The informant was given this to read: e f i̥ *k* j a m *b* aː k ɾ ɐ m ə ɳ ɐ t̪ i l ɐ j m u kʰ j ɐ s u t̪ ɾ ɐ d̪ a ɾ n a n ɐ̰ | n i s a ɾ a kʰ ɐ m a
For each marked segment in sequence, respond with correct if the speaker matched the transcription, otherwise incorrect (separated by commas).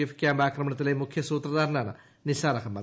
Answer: correct, correct